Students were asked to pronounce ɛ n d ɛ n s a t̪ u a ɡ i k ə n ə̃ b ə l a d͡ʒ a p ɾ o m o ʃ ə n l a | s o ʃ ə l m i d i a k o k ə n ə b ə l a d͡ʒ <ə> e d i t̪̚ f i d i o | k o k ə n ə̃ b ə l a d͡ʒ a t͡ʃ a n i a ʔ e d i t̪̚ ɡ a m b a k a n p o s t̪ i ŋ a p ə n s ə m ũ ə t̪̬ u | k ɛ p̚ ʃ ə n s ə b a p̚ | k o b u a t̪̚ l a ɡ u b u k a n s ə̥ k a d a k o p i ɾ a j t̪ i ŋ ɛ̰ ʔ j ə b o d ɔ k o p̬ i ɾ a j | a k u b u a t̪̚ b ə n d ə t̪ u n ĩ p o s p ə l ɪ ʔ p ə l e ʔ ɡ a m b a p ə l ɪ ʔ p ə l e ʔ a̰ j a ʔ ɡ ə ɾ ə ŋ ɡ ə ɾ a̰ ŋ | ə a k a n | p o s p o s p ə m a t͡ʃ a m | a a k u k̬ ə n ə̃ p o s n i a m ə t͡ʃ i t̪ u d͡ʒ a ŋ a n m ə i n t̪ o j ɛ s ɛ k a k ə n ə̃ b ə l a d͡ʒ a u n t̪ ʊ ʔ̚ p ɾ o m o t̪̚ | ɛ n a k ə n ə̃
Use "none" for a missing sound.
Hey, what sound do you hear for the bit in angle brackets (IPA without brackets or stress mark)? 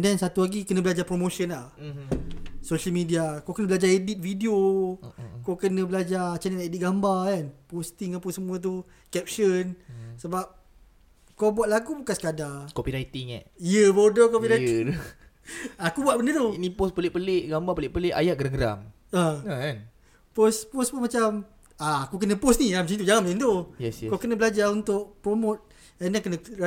a